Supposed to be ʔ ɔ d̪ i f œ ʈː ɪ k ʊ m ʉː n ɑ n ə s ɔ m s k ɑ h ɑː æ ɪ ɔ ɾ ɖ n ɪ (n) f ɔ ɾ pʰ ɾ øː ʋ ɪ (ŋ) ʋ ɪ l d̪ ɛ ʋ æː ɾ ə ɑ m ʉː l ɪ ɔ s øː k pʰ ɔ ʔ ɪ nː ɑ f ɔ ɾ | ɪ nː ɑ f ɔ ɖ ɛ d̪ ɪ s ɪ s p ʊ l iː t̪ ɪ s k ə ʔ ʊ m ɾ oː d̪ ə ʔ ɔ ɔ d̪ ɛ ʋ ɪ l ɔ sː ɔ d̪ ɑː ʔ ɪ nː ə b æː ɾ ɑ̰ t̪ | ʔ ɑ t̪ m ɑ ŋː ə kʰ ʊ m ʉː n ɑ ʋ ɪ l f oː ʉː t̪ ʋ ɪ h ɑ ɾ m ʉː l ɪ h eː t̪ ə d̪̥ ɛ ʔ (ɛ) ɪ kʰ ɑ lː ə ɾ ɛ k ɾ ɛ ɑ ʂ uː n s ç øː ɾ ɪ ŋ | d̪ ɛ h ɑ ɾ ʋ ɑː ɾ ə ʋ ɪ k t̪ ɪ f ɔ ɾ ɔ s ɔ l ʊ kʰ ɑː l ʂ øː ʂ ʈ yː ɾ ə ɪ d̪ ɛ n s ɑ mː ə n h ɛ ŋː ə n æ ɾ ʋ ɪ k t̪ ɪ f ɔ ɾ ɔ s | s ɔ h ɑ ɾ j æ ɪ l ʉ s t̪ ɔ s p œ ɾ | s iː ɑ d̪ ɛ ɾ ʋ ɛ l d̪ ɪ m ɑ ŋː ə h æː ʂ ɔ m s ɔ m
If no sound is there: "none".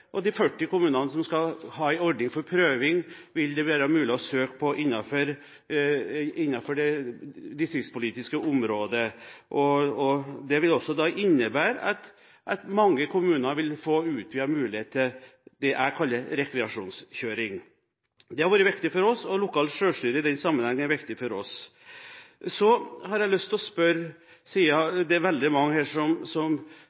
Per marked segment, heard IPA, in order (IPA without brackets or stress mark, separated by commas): ŋ, ŋ, æ